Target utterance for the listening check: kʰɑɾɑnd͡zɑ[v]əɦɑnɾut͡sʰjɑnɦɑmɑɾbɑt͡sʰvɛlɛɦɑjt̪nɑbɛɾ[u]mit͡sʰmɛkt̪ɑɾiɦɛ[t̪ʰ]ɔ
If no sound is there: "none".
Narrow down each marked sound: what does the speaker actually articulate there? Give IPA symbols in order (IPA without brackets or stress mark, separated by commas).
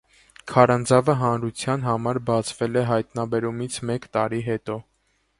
v, u, t̪